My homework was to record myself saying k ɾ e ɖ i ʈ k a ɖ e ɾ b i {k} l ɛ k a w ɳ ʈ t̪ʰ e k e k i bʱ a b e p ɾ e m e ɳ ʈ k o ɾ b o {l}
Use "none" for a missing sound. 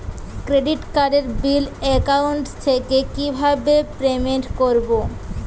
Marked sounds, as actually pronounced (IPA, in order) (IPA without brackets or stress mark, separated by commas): none, none